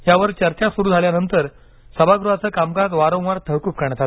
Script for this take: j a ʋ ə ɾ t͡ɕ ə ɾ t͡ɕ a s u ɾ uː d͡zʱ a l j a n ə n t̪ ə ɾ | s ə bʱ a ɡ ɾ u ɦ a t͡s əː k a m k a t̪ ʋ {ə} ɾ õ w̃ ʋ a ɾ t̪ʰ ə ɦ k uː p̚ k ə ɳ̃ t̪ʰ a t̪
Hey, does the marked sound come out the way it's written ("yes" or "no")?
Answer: no